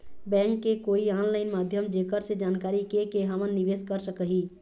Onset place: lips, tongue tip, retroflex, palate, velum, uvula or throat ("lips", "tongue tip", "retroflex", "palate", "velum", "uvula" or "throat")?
lips